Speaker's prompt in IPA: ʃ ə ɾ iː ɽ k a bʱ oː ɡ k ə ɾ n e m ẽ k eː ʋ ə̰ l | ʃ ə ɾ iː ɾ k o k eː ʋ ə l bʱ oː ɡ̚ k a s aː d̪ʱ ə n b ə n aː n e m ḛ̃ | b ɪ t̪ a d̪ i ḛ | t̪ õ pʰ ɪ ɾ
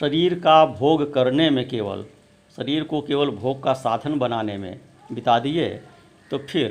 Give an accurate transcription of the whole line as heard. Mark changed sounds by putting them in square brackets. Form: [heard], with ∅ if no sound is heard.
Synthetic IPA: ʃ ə ɾ iː [ɾ] k a bʱ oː ɡ k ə ɾ n e m ẽ k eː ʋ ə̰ l | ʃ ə ɾ iː ɾ k o k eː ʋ ə l bʱ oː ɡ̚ k a s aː d̪ʱ ə n b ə n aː n e m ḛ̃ | b ɪ t̪ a d̪ i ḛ | t̪ [o] pʰ ɪ ɾ